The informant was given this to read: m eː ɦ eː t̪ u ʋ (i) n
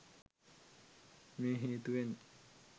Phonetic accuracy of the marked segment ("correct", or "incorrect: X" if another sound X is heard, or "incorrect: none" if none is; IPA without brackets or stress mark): incorrect: e